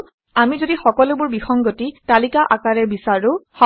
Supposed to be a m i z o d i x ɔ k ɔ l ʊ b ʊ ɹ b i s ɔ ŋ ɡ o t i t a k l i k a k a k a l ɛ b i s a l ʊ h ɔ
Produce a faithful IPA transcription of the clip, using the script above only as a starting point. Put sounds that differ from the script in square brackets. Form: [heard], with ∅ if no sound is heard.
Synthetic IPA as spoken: a m i z o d i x ɔ k ɔ l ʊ b ʊ ɹ b i [x] ɔ ŋ ɡ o t i t a [∅] l i k a [ʔ] a k a [ɹ] ɛ b i s a [ɹ] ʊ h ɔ